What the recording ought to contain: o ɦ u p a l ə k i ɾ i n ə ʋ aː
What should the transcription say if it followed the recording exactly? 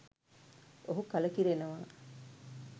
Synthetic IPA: o ɦ u k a l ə k i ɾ e n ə ʋ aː